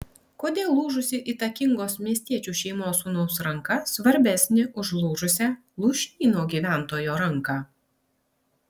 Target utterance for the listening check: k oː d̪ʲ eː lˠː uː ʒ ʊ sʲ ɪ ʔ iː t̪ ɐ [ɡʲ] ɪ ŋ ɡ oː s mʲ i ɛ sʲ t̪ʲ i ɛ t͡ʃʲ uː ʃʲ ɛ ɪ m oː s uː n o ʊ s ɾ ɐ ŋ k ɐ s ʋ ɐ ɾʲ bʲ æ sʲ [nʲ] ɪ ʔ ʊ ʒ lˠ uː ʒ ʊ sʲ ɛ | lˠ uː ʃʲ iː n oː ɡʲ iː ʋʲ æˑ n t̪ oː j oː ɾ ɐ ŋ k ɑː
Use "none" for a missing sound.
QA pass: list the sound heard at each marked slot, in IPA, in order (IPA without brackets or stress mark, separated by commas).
kʲ, nʲ